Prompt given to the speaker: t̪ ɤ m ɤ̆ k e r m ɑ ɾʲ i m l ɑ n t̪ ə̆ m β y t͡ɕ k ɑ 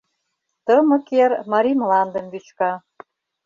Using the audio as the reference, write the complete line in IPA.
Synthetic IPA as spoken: t̪ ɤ m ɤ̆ k e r m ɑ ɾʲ i m l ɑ n d̪ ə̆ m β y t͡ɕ k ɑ